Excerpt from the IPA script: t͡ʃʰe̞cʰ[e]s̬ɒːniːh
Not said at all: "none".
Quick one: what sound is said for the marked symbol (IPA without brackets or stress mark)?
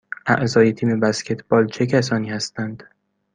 æ